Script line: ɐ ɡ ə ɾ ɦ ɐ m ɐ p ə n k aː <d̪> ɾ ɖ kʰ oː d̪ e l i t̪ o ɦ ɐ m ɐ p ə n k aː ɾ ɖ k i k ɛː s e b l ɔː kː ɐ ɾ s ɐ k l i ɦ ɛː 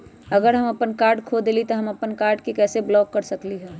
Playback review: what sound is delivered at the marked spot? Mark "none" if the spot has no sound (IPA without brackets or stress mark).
none